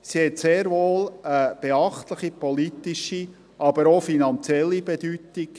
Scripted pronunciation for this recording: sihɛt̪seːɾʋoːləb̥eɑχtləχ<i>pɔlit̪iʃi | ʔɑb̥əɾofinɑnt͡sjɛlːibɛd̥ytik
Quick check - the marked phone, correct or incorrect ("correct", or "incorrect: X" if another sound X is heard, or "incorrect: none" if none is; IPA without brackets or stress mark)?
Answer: correct